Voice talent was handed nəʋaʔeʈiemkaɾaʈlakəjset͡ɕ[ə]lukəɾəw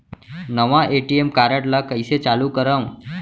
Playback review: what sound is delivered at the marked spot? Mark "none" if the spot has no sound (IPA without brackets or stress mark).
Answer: a